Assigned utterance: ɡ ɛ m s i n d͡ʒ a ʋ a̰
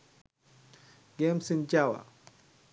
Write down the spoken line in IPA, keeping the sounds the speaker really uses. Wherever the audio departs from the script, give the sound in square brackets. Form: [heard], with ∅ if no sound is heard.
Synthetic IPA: ɡ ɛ m s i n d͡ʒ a [w] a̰